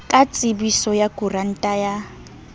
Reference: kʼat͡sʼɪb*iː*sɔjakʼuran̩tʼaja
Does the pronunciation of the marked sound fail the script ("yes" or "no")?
yes